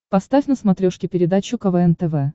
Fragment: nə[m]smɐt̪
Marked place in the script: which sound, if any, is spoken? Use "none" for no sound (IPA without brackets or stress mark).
none